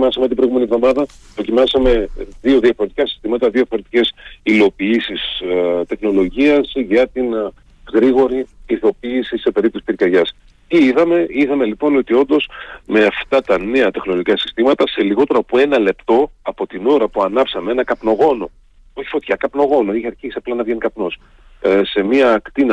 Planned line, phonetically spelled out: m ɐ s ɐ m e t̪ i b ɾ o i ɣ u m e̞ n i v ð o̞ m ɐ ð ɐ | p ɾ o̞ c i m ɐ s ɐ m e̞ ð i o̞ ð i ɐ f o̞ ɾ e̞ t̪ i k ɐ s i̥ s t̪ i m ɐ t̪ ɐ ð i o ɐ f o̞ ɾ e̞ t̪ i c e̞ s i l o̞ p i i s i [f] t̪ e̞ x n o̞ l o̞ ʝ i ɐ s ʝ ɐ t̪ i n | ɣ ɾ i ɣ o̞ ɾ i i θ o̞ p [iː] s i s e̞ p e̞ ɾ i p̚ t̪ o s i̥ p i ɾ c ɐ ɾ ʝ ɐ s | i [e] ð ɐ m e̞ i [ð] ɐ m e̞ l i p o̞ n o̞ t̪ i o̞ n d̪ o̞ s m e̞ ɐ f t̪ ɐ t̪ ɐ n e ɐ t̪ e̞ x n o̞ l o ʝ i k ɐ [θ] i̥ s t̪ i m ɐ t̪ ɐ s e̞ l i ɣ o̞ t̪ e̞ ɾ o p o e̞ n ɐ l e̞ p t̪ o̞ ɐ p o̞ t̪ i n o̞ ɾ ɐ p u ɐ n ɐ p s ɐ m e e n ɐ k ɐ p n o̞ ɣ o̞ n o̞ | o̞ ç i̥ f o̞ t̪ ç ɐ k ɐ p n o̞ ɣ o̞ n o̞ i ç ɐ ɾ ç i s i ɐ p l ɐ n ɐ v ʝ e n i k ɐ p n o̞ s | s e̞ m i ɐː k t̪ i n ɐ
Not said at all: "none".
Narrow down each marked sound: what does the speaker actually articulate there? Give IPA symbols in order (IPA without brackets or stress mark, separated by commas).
s, iː, i, ð, s